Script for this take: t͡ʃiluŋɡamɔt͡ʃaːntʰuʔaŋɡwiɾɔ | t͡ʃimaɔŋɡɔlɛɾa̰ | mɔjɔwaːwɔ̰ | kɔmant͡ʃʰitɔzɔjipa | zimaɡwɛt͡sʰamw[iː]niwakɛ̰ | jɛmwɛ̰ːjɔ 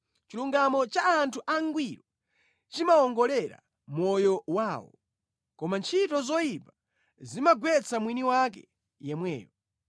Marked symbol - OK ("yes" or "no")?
no